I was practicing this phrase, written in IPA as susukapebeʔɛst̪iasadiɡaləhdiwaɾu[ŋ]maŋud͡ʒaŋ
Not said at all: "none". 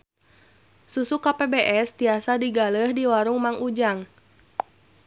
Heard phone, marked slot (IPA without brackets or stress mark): ŋ